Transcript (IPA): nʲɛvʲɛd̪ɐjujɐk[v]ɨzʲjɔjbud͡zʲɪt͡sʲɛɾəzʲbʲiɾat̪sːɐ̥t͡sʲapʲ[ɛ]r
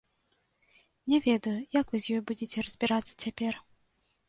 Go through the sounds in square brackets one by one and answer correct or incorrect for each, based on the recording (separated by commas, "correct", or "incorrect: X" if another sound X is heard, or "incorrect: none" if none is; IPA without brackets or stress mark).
correct, correct